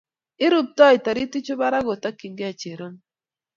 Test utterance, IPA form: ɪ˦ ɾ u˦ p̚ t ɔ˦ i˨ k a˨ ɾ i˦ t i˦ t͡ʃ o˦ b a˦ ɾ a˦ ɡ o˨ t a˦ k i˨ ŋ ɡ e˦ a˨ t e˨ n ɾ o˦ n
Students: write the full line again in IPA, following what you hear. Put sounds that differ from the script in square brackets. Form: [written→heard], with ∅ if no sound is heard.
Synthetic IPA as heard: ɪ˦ ɾ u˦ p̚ t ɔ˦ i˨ [k→t] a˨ ɾ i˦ t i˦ t͡ʃ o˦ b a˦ ɾ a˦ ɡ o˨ t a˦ k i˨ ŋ ɡ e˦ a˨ [t→t͡ʃ] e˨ [n→∅] ɾ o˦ n